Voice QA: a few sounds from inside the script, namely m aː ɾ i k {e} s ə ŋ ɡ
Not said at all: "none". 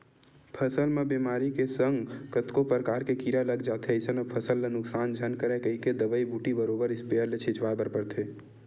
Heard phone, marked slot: e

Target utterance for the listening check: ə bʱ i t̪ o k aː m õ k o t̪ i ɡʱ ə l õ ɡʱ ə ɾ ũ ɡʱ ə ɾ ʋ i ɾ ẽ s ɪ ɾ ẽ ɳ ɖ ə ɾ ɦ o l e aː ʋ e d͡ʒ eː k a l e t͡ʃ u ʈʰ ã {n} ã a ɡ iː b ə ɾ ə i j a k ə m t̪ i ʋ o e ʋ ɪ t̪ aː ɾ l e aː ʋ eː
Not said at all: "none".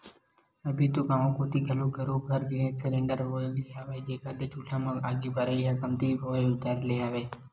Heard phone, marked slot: m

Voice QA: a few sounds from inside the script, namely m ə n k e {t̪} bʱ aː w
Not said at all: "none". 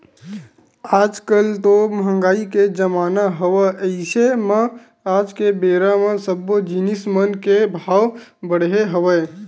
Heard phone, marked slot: none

